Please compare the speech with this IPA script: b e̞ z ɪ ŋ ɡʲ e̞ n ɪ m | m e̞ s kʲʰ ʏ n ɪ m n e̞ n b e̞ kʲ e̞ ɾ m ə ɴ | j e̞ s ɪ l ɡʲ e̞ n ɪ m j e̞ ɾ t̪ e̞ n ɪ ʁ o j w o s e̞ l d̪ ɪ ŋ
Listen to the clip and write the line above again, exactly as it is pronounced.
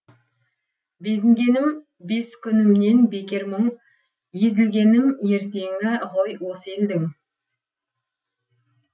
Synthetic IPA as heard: b e̞ z ɪ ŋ ɡʲ e̞ n ɪ m | b e̞ s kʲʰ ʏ n ɪ m n e̞ n b e̞ kʲ e̞ ɾ m ə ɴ | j e̞ z ɪ l ɡʲ e̞ n ɪ m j e̞ ɾ t̪ e̞ ŋ ɪ ʁ o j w o s e̞ l d̪ ɪ ŋ